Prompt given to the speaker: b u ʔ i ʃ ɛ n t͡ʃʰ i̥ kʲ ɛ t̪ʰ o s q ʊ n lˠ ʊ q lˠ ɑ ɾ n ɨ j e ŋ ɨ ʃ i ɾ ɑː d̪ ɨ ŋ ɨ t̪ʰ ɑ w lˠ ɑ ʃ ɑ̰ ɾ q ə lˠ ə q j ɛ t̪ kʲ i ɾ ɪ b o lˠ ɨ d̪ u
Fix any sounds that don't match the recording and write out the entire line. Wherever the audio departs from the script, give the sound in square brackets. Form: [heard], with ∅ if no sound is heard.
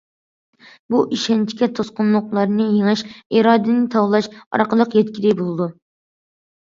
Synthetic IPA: b u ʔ i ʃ ɛ n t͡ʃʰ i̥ kʲ ɛ t̪ʰ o s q ʊ n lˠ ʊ q lˠ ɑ ɾ n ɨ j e ŋ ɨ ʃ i ɾ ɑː d̪ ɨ [n] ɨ t̪ʰ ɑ w lˠ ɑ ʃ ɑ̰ ɾ q ə lˠ ə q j ɛ t̪ kʲ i ɾ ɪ b o lˠ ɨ d̪ u